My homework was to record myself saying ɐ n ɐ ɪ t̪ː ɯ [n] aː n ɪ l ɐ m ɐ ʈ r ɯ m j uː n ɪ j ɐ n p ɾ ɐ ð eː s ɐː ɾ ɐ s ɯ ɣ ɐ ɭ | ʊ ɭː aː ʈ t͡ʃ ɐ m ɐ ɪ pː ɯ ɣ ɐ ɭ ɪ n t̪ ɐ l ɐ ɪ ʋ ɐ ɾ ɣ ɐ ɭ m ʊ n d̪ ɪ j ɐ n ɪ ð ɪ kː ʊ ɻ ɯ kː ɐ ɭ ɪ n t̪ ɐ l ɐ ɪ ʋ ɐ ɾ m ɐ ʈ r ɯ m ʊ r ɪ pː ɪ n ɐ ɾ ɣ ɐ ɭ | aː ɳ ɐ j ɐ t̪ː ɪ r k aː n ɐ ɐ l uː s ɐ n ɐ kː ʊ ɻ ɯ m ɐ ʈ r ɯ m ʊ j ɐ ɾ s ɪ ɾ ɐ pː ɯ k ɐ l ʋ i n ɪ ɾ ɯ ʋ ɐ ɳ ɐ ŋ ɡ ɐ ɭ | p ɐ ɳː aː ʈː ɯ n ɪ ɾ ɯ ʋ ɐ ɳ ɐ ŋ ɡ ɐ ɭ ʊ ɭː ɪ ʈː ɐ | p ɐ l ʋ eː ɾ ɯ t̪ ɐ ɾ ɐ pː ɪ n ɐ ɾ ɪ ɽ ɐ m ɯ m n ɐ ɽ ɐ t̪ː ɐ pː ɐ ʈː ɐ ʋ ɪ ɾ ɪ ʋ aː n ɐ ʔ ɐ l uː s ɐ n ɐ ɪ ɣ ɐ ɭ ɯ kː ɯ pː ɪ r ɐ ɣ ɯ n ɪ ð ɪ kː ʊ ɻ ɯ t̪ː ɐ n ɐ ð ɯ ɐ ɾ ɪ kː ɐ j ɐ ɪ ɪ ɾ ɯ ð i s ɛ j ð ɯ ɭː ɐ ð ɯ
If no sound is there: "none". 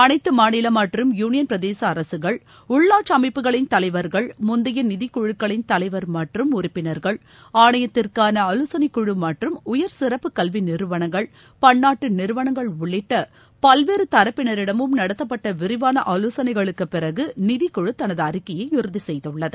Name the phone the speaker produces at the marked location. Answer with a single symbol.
m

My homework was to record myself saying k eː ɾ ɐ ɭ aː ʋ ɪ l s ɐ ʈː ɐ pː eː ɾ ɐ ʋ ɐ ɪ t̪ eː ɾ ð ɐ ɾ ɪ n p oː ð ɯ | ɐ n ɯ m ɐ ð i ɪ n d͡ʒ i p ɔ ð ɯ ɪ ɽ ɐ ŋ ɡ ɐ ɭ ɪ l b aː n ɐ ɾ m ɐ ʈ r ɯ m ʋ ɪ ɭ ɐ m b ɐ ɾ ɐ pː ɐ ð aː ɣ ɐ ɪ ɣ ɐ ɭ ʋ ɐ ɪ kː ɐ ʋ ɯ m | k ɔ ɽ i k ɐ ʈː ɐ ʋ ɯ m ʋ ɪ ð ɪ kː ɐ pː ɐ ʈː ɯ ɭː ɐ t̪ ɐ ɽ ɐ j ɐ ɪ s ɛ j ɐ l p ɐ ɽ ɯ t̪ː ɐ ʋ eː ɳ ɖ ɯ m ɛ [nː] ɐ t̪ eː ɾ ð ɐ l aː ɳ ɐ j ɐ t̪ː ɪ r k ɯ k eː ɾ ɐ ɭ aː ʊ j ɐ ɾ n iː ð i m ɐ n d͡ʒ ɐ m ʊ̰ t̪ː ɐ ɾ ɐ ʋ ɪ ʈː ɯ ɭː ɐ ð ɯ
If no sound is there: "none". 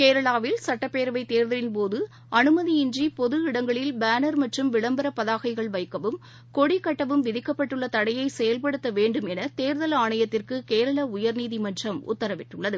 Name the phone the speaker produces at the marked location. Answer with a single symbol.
n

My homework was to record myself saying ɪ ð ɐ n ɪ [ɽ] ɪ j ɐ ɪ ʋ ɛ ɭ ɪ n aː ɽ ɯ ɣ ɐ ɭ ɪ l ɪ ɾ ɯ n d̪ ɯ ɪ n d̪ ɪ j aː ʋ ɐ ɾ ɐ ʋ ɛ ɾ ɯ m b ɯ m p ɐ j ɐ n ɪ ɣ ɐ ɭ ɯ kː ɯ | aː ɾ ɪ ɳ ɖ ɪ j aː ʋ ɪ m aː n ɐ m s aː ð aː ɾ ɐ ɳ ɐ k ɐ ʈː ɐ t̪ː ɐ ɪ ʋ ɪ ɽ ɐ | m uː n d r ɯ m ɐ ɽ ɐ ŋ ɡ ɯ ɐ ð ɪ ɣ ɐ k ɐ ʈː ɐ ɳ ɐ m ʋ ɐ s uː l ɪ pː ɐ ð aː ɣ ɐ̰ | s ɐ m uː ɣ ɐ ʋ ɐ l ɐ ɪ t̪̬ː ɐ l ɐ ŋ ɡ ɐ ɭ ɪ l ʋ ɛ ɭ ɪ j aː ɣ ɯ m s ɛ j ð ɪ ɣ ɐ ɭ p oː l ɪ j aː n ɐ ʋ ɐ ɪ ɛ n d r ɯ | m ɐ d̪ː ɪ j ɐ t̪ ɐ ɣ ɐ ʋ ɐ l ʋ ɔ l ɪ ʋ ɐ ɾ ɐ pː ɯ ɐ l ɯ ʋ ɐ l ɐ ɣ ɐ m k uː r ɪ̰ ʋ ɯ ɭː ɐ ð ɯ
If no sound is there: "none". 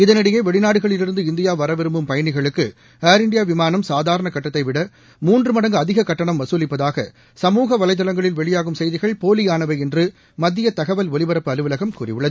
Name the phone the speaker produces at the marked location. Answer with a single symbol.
ɽ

